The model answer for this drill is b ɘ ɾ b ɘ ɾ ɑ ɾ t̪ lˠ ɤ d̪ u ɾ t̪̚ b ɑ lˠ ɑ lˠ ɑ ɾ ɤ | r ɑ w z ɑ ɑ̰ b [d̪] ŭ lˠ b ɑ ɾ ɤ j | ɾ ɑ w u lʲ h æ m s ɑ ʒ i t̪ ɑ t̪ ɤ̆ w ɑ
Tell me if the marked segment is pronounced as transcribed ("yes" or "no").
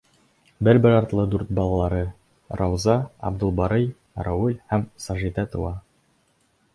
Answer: yes